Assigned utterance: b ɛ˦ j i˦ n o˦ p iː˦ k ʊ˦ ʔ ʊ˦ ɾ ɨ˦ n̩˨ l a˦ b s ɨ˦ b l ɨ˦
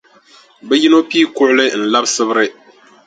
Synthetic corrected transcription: b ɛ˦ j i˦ n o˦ p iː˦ k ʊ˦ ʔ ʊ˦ l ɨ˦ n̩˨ l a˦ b s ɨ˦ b ɾ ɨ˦